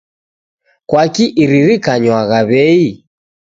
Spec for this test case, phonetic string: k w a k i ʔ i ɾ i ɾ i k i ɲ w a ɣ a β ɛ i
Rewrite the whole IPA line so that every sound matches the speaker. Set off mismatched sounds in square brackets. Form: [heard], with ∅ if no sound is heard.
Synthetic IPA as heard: k w a k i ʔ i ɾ i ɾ i k [a] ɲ w a ɣ a β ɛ i